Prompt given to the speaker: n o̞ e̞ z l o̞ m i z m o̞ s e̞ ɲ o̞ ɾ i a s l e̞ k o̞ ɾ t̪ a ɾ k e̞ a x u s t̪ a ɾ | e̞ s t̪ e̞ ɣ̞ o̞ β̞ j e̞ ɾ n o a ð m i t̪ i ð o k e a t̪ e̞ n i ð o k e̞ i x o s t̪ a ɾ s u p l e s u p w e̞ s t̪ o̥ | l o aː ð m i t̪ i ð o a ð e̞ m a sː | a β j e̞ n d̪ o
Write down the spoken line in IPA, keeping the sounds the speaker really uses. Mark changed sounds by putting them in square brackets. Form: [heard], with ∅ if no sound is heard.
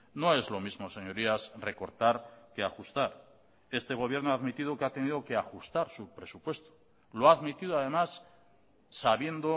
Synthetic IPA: n o̞ e̞ z l o̞ m i z m o̞ s e̞ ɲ o̞ ɾ i a s [r] e̞ k o̞ ɾ t̪ a ɾ k e̞ a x u s t̪ a ɾ | e̞ s t̪ e̞ ɣ̞ o̞ β̞ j e̞ ɾ n o a ð m i t̪ i ð o k e a t̪ e̞ n i ð o k e̞ [a] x [u] s t̪ a ɾ s u p [ɾ] e s u p w e̞ s t̪ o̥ | l o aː ð m i t̪ i ð o a ð e̞ m a sː | a β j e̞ n d̪ o